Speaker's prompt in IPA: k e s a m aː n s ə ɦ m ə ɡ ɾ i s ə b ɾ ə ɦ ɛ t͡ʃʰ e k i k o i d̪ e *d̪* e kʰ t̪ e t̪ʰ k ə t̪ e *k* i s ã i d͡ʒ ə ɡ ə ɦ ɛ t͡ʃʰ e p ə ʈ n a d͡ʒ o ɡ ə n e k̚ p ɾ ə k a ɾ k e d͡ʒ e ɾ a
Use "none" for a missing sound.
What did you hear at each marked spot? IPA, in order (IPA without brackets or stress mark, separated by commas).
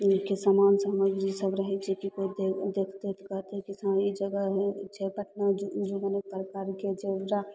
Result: d̪, k